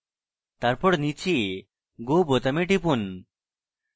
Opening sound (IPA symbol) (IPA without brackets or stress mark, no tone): t̪